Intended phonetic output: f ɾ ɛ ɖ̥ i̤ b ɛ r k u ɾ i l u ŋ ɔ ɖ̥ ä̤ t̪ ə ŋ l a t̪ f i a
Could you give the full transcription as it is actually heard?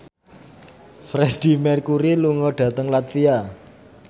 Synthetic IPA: f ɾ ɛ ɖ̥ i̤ m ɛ r k u ɾ i l u ŋ ɔ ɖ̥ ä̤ t̪ ə ŋ l a t̪ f i a